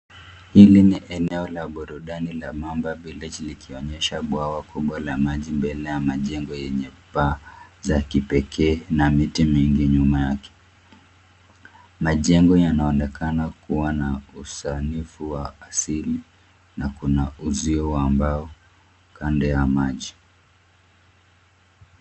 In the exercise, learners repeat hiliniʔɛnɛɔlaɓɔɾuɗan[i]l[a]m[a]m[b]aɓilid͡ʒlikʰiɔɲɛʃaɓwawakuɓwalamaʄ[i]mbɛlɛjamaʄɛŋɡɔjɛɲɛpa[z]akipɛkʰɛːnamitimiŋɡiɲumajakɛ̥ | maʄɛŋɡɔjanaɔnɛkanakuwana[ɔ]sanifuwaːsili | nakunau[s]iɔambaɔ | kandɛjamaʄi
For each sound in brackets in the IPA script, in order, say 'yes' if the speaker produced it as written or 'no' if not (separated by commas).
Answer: yes, yes, yes, yes, yes, yes, no, no